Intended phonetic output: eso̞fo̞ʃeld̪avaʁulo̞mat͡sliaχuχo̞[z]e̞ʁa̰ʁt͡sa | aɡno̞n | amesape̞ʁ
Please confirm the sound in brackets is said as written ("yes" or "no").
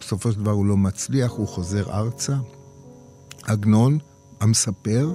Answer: yes